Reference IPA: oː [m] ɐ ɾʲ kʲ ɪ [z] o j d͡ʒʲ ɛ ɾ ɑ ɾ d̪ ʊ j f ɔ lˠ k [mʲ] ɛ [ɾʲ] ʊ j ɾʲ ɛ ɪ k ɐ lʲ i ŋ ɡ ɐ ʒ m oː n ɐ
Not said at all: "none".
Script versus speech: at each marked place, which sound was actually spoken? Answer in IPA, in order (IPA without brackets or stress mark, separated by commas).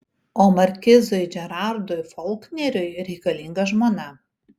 m, z, nʲ, ɾʲ